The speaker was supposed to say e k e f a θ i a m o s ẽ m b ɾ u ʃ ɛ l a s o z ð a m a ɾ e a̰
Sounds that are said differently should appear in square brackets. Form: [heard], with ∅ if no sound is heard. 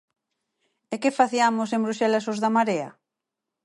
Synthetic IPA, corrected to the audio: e k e f a θ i a m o s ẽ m b ɾ u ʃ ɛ l a s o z ð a m a ɾ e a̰